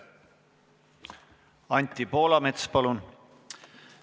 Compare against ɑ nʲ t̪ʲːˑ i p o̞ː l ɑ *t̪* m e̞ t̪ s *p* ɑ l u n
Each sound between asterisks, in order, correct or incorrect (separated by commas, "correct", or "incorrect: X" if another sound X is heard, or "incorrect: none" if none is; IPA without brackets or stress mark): incorrect: none, correct